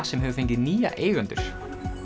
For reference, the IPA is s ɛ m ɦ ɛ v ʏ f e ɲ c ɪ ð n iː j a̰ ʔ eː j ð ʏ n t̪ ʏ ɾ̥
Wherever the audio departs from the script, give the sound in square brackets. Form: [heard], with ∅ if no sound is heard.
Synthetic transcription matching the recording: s ɛ m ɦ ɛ v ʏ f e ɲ c ɪ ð n iː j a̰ ʔ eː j [ɣ] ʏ n t̪ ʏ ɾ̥